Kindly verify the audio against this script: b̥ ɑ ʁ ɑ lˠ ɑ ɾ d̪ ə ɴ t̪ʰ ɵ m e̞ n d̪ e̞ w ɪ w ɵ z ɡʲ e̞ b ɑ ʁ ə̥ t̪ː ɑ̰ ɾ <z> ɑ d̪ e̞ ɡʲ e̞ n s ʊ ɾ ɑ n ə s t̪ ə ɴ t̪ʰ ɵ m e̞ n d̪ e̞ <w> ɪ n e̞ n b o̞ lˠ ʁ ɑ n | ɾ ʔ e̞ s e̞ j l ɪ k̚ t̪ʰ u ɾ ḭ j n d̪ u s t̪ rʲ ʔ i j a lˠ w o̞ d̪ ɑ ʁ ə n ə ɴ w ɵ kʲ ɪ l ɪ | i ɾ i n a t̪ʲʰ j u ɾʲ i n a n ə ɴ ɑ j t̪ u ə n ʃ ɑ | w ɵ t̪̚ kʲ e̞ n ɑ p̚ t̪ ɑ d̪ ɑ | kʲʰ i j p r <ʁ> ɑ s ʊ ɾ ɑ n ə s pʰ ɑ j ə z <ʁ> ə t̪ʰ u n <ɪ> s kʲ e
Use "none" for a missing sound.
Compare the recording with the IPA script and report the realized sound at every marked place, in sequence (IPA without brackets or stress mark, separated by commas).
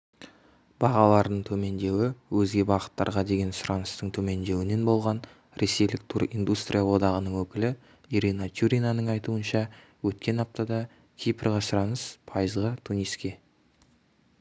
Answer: ʁ, w, ʁ, ʁ, i